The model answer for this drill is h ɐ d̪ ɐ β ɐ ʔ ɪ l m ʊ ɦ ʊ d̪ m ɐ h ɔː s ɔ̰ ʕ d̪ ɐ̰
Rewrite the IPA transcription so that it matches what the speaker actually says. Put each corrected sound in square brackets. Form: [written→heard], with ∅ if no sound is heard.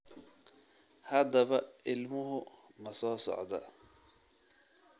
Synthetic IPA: h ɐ d̪ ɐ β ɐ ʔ ɪ l m ʊ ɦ ʊ [d̪→∅] m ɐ [h→s] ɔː s ɔ̰ ʕ d̪ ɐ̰